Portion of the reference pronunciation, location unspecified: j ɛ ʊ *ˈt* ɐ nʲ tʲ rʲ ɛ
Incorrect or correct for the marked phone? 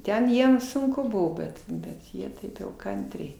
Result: incorrect: k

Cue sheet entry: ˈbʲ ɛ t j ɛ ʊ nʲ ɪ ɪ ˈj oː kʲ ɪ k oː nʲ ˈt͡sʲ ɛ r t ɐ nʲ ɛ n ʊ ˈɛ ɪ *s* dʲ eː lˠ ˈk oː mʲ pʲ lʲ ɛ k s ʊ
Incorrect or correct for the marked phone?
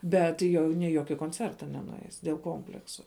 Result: correct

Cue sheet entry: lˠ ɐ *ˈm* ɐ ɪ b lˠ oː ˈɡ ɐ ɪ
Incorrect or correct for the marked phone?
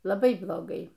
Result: incorrect: b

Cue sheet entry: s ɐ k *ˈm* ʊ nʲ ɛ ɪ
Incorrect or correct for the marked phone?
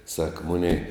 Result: correct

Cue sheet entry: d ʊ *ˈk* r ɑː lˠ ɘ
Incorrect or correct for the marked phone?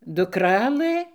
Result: correct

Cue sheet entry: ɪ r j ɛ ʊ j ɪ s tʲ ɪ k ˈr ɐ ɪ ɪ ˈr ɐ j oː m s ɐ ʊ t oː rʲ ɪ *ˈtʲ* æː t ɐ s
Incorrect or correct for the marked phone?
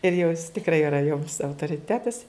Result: correct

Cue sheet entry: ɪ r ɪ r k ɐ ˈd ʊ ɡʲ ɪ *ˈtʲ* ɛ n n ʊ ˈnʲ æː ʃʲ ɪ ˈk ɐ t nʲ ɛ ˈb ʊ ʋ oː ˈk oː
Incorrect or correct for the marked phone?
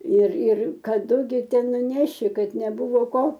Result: correct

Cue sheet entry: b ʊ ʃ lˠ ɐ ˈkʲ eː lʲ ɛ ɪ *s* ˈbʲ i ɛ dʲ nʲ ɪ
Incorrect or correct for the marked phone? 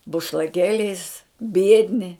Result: correct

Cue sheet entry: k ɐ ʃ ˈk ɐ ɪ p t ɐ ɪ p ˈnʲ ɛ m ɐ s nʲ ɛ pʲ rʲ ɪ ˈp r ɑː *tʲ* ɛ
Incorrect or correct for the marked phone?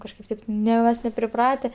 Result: correct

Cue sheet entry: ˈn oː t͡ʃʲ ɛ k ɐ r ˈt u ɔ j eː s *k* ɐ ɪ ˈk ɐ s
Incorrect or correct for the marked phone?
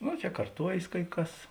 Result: correct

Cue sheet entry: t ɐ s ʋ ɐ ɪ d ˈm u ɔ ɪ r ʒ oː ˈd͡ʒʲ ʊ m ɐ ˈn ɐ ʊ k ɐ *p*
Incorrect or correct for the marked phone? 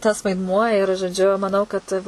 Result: incorrect: t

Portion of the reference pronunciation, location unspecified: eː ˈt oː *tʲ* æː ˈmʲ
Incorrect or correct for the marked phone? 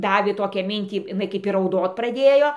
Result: incorrect: kʲ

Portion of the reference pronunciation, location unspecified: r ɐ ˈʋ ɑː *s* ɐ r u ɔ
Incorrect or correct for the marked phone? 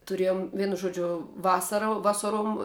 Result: correct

